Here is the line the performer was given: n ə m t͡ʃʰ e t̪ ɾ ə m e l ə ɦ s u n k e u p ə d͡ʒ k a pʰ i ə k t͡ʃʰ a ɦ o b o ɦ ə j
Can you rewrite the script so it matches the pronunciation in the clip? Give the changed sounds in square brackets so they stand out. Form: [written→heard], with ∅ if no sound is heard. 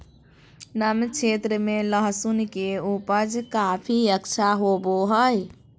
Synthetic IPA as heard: n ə m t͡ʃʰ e t̪ ɾ ə m e l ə ɦ s u n k e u p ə d͡ʒ k a pʰ i ə k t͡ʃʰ a ɦ o b o ɦ ə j